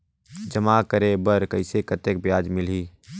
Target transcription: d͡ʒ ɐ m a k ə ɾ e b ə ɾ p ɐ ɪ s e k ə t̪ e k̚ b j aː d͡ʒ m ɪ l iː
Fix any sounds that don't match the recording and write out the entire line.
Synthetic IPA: d͡ʒ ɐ m a k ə ɾ e b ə ɾ k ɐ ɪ s e k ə t̪ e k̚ b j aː d͡ʒ m ɪ l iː